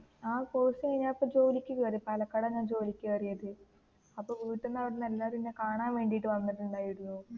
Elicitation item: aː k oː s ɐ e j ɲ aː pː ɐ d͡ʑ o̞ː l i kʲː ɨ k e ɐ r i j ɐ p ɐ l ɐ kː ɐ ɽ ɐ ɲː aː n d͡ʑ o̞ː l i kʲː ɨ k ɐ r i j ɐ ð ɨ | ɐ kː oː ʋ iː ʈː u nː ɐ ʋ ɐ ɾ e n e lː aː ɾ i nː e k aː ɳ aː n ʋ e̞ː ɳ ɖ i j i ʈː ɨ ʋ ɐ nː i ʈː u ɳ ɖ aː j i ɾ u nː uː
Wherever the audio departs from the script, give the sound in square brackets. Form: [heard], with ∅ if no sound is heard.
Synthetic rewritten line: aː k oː s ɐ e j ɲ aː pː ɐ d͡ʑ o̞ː l i kʲː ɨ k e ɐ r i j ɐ p ɐ l ɐ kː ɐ ɽ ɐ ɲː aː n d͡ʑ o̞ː l i kʲː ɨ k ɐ r i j ɐ ð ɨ | ɐ [pː] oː ʋ iː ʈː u nː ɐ ʋ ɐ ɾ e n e lː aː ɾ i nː e k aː ɳ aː n ʋ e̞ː ɳ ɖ i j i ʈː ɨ ʋ ɐ nː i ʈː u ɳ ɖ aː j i [ɽ] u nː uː